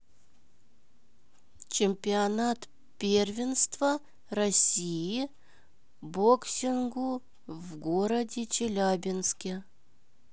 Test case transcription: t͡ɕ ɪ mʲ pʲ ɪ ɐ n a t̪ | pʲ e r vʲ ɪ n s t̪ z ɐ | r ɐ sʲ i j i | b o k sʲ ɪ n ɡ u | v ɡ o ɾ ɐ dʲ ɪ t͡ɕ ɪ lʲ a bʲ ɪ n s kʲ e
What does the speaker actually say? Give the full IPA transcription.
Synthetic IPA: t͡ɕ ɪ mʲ pʲ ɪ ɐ n a t̪ | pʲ e r vʲ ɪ n s t̪ v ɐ | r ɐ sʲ i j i | b o k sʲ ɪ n ɡ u | v ɡ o ɾ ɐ dʲ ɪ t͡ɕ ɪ lʲ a bʲ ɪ n s kʲ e